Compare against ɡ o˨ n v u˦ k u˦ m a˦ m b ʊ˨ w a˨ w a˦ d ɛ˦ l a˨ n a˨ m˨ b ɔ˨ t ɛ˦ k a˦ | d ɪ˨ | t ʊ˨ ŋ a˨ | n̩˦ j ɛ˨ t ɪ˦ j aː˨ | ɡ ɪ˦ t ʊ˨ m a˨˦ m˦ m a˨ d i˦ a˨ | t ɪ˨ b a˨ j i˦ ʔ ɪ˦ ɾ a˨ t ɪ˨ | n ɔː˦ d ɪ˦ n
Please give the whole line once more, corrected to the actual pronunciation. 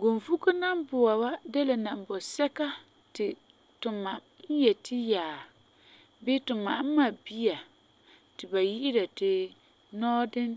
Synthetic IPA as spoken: ɡ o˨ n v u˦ k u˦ n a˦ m b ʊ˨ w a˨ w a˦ d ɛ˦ l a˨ n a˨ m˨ b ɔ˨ s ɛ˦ k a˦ | t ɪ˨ | t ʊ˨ m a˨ | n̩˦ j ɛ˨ t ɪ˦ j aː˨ | b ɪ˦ t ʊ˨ m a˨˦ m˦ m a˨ b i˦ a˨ | t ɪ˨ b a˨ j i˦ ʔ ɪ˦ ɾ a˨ t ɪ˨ | n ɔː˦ d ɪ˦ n